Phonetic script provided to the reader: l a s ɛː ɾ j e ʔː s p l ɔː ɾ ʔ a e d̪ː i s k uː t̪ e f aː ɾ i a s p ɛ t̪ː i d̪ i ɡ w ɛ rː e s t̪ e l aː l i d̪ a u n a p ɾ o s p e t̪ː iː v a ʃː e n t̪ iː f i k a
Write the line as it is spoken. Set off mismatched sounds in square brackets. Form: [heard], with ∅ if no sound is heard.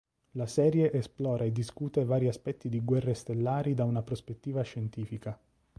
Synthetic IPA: l a s ɛː ɾ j e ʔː s p l ɔː ɾ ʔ a e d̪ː i s k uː t̪ e [v] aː ɾ i a s p ɛ t̪ː i d̪ i ɡ w ɛ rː e s t̪ e [lː] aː [ɾ] i d̪ a u n a p ɾ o s p e t̪ː iː v a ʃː e n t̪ iː f i k a